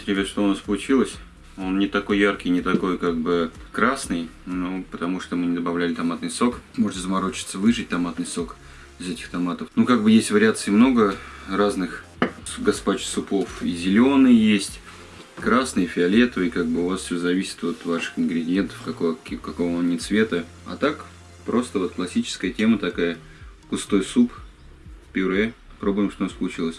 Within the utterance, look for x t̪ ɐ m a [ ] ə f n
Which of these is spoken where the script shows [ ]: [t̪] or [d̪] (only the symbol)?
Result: t̪